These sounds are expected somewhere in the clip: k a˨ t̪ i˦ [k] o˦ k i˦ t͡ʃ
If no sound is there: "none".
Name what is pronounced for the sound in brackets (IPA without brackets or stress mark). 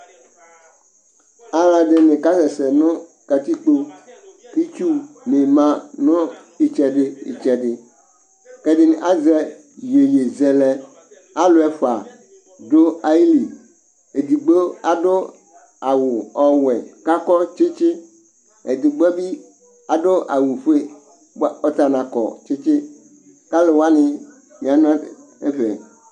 k͡p